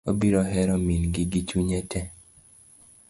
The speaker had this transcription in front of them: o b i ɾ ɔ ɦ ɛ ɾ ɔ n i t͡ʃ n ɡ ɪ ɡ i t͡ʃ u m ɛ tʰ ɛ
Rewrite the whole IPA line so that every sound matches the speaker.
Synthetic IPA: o b i ɾ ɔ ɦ ɛ ɾ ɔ m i n ɡ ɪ ɡ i t͡ʃ u ɲ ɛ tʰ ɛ